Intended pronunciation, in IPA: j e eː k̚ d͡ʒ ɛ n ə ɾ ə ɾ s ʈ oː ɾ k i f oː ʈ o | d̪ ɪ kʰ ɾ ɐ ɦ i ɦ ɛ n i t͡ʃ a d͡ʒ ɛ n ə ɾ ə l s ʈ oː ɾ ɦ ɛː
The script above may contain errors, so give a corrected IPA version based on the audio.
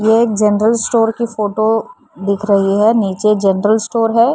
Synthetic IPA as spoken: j e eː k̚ d͡ʒ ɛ n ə ɾ ə l s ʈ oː ɾ k i f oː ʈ o | d̪ ɪ kʰ ɾ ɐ ɦ i ɦ ɛ n iː t͡ʃ e d͡ʒ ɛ n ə ɾ ə l s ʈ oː ɾ ɦ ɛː